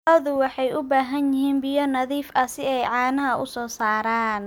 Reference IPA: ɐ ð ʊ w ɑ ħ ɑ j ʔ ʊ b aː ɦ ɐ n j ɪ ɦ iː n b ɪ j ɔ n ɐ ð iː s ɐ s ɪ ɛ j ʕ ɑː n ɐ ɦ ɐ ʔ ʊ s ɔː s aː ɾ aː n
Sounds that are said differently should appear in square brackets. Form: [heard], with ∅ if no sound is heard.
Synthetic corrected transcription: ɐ ð ʊ w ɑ ħ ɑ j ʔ ʊ b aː ɦ ɐ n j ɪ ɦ iː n b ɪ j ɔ n ɐ ð iː [f] ɐ s ɪ ɛ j ʕ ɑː n ɐ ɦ ɐ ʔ ʊ s ɔː s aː ɾ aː n